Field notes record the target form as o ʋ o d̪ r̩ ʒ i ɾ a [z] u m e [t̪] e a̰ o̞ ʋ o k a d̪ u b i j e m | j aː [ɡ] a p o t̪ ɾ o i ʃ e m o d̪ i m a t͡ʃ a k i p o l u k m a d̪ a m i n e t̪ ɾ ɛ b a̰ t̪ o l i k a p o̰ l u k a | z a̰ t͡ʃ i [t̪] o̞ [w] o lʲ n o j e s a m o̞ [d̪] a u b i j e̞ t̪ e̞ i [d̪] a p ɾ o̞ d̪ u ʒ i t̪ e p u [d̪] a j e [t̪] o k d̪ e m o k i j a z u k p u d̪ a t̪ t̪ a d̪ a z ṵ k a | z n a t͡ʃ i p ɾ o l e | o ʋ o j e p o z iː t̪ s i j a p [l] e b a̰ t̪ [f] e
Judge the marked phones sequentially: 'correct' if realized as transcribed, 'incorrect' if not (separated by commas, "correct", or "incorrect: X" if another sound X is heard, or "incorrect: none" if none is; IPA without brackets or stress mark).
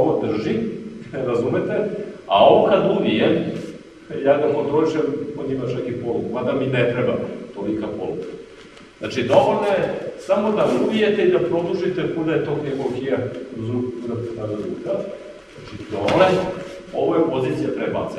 correct, correct, correct, incorrect: d̪, incorrect: ʋ, correct, correct, correct, correct, incorrect: ɾ, incorrect: s